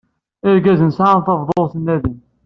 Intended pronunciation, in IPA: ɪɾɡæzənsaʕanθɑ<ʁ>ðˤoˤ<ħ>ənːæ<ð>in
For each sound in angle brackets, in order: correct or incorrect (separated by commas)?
incorrect, incorrect, correct